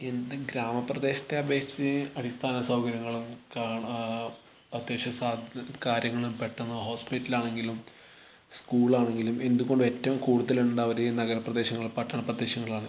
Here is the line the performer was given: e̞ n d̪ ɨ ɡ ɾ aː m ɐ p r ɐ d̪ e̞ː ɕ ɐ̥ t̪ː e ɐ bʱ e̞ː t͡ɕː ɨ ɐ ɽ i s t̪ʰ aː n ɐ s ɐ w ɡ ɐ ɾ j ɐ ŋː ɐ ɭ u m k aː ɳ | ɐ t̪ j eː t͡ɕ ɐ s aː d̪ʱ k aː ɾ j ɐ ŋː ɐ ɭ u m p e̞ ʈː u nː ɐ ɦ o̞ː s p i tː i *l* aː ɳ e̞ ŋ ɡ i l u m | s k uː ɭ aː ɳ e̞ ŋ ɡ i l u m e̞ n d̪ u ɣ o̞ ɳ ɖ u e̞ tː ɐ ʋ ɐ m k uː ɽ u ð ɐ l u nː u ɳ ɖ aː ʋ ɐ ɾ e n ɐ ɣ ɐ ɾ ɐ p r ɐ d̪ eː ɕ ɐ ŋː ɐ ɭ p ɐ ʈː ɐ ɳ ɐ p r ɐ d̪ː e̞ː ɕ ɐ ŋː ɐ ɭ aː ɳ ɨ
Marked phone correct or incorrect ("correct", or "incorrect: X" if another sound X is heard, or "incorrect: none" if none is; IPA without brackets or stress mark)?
correct